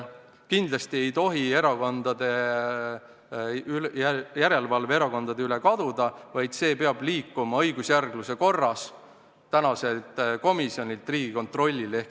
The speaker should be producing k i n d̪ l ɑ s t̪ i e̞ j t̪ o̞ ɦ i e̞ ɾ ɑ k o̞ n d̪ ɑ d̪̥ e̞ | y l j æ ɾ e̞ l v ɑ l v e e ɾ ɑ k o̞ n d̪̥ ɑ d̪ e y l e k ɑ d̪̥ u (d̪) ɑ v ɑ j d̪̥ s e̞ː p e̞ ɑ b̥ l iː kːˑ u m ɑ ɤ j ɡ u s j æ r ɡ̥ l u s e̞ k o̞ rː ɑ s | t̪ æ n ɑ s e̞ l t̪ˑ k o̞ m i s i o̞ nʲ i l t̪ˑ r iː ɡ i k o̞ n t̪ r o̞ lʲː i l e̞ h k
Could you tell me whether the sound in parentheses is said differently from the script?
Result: no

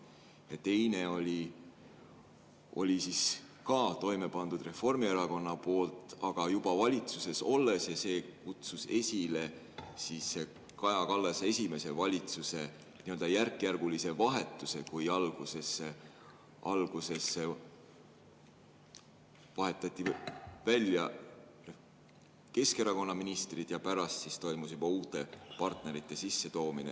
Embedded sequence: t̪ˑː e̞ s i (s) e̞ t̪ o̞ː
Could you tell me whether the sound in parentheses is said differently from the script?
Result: yes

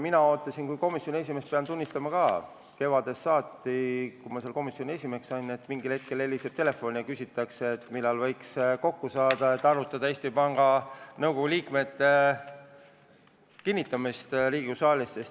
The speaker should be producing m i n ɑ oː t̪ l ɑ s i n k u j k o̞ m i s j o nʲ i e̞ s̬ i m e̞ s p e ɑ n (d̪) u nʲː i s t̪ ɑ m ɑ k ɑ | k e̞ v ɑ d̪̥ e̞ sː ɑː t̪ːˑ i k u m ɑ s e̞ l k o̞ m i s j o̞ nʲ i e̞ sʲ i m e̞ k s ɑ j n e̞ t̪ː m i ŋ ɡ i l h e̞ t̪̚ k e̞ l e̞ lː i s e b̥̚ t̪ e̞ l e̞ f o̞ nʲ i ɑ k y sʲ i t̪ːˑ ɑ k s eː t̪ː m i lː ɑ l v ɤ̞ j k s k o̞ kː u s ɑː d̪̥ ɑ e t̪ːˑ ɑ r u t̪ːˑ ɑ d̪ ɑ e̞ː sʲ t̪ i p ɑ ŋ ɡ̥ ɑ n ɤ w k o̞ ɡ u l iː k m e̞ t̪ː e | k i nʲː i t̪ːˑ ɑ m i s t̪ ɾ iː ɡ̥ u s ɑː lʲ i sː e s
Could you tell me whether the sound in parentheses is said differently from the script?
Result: yes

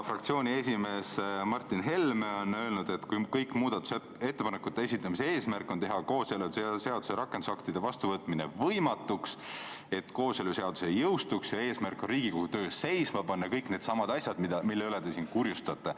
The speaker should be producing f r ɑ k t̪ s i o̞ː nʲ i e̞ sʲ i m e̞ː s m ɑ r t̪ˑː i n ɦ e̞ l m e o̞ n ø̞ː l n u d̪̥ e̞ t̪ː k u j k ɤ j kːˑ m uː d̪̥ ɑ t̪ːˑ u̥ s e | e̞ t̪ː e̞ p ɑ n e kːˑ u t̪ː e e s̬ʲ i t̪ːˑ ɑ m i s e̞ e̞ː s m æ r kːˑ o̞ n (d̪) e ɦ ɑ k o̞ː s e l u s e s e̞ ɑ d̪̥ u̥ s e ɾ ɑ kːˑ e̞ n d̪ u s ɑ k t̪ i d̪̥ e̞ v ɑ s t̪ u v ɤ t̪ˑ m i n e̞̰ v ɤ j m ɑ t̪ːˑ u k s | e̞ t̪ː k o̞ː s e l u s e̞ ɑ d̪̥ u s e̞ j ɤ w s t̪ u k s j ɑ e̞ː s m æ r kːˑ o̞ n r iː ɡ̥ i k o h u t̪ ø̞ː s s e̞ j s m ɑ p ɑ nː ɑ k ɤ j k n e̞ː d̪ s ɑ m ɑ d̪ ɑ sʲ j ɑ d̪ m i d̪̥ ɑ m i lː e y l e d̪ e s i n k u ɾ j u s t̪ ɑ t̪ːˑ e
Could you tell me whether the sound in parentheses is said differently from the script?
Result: yes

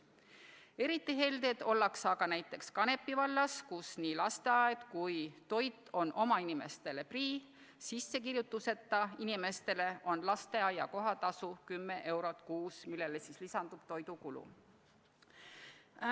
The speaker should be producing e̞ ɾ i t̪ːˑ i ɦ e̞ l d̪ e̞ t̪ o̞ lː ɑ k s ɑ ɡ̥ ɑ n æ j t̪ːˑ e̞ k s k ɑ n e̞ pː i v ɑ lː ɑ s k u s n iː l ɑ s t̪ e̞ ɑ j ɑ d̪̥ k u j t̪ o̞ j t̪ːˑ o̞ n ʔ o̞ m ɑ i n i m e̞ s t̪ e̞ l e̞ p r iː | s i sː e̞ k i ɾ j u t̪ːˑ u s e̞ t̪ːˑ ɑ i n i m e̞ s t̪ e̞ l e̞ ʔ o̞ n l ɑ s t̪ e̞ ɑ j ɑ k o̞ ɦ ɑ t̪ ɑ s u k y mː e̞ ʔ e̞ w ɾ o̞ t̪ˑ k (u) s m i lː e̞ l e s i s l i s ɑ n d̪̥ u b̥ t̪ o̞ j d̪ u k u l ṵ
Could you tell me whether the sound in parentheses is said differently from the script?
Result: yes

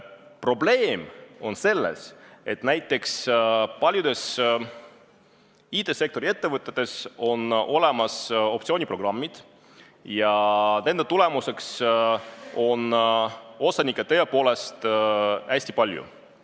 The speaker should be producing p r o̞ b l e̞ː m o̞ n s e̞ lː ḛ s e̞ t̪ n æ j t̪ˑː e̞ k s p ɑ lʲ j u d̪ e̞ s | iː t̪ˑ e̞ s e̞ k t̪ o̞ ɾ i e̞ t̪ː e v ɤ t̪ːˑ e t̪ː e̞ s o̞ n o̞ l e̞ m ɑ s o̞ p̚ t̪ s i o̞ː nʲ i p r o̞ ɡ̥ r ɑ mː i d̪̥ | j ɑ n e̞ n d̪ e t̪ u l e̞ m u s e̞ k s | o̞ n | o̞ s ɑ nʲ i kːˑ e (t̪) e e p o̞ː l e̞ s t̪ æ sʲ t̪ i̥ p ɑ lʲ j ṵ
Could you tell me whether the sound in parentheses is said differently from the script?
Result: no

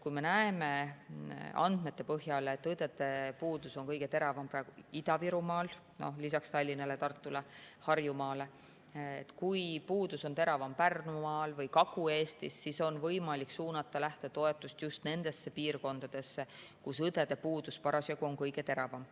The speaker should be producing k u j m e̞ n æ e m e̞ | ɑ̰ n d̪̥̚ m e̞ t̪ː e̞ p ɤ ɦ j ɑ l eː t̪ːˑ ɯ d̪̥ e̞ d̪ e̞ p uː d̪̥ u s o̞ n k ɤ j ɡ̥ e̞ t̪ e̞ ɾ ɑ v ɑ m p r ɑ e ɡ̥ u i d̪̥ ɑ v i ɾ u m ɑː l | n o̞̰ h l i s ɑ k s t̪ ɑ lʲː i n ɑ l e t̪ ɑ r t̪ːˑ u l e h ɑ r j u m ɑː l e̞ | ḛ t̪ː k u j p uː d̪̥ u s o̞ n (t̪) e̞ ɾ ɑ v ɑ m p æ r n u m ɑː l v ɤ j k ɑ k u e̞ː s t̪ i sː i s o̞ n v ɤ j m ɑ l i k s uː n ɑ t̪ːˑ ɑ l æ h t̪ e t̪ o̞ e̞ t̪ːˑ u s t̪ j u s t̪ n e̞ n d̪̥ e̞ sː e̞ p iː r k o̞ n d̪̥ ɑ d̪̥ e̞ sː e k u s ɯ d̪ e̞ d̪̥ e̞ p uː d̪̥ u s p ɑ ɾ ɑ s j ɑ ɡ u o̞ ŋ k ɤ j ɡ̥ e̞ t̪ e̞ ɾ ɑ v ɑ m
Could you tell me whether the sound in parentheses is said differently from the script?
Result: no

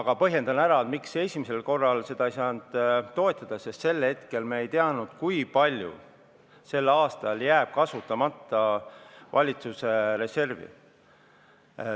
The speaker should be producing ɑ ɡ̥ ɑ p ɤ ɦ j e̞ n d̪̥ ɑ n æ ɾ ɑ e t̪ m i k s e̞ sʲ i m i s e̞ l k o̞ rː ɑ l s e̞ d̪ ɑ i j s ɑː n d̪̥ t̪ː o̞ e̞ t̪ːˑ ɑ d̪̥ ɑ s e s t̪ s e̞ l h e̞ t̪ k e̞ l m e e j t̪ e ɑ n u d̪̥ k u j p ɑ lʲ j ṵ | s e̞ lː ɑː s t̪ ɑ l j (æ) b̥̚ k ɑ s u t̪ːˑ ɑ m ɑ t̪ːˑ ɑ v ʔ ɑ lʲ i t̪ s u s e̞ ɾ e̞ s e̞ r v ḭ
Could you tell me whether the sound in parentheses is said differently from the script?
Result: yes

